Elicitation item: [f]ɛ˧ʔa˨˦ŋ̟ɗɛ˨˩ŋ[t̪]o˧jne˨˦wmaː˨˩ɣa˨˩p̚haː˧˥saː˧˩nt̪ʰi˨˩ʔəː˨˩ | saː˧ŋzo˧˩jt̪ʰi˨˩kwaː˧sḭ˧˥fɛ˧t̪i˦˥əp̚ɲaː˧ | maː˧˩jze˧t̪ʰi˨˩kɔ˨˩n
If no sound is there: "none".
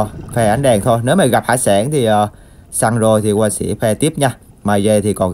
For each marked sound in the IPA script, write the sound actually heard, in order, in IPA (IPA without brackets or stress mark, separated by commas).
f, t̪ʰ